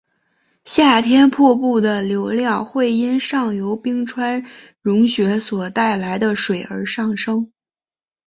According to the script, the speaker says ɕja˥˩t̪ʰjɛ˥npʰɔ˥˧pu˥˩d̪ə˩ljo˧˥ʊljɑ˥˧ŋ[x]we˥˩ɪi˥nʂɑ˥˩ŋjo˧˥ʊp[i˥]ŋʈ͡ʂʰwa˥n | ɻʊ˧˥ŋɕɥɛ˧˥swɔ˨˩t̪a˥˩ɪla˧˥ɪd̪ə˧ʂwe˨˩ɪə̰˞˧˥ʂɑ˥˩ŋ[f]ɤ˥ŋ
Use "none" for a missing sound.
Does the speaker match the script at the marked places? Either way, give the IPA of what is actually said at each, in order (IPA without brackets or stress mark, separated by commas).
x, i˥, ʂ